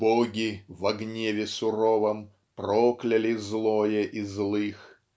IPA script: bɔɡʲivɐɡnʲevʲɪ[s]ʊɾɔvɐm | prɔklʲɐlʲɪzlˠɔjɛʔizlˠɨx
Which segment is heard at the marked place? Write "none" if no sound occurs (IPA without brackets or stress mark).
s